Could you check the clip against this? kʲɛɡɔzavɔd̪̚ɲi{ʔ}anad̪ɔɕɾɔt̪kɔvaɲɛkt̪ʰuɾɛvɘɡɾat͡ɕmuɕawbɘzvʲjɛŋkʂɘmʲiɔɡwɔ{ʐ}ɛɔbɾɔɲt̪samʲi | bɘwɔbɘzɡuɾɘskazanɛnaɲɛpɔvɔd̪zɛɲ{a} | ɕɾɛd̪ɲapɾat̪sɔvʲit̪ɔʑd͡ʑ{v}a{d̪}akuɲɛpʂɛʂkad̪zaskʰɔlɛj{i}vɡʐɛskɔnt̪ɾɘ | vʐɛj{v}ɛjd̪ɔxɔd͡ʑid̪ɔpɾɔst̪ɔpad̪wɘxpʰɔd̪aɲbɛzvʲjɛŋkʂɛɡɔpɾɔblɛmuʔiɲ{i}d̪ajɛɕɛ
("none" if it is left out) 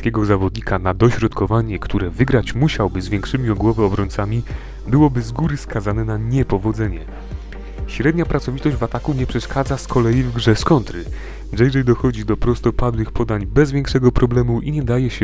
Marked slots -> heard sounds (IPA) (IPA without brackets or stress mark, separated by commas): k, v, ɛ, v, t̪, i, ʐ, ɛ